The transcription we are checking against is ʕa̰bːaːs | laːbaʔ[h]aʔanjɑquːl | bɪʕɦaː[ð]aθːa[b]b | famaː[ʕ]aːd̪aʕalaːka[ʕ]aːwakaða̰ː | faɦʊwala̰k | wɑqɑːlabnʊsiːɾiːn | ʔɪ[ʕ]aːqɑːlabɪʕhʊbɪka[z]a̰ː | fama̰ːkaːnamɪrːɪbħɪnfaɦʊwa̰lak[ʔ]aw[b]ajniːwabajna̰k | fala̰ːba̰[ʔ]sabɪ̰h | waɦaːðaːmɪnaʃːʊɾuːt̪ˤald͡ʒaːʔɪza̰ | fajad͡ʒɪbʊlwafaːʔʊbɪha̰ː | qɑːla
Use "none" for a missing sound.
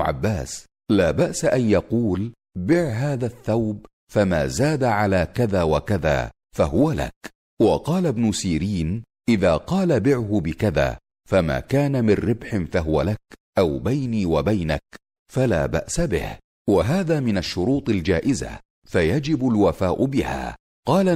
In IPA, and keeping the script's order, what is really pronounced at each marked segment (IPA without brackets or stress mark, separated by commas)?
s, ð, w, z, ð, ð, ð, ʔ, b, ʔ